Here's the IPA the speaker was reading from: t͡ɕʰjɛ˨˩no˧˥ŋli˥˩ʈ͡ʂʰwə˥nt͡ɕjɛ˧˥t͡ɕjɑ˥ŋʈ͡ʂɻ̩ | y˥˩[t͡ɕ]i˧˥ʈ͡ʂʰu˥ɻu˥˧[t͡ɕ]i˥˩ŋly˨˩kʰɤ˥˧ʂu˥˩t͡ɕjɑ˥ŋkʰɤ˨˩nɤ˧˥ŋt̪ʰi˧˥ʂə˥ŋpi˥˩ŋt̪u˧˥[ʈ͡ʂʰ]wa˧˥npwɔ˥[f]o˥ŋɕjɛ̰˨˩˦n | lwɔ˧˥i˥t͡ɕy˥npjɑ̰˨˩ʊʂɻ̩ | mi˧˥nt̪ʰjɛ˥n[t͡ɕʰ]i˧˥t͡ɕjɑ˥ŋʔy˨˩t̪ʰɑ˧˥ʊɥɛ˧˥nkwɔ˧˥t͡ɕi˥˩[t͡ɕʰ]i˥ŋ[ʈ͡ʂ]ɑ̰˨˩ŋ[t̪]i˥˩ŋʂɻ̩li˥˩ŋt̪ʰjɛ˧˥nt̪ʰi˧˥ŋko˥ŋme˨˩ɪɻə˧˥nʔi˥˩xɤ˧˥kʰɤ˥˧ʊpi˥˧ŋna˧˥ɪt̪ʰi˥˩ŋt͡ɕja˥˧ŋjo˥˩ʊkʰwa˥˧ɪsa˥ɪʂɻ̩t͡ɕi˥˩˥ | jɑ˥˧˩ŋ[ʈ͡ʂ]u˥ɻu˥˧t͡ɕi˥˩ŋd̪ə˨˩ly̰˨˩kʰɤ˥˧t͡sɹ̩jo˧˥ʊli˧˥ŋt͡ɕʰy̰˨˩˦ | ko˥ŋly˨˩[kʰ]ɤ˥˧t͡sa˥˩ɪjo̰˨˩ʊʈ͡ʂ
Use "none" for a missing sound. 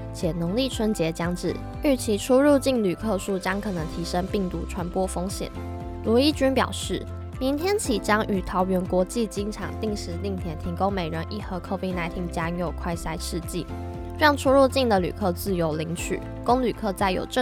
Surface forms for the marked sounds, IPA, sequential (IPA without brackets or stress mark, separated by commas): t͡ɕʰ, t͡ɕ, ʈ͡ʂʰ, f, t͡ɕʰ, t͡ɕ, ʈ͡ʂʰ, t̪, ʈ͡ʂʰ, kʰ